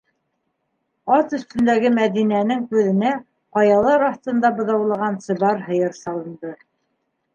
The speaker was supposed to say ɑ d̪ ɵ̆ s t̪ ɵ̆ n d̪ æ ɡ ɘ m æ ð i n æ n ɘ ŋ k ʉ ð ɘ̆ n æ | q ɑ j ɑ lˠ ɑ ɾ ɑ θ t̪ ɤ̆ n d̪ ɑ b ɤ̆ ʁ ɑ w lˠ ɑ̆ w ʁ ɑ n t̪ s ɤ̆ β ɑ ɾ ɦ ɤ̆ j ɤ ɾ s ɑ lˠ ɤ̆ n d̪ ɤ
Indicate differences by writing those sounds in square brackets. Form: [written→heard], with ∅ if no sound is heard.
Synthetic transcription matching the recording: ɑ [d̪→t̪] ɵ̆ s t̪ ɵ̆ n d̪ æ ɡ ɘ m æ ð i n æ n ɘ ŋ k ʉ ð ɘ̆ n æ | q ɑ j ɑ lˠ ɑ ɾ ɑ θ t̪ ɤ̆ n d̪ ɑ b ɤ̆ [ʁ→ð] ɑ w lˠ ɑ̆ [w→∅] ʁ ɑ n t̪ s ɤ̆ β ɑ ɾ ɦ ɤ̆ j ɤ ɾ s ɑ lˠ ɤ̆ n d̪ ɤ